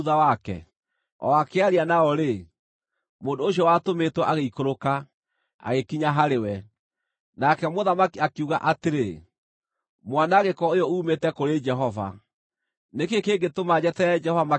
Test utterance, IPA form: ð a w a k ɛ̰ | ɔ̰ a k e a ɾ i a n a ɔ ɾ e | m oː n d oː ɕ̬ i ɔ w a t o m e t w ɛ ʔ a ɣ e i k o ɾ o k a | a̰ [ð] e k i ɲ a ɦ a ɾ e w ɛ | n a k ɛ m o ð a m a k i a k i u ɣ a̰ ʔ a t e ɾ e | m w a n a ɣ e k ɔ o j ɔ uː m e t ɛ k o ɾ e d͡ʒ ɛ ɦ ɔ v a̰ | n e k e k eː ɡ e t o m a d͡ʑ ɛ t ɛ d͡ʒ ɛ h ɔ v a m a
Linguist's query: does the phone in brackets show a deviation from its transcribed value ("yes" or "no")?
yes